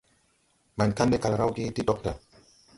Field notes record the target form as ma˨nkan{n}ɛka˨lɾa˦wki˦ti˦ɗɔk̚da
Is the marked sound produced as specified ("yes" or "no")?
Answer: no